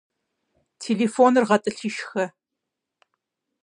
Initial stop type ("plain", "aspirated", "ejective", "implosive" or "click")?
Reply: aspirated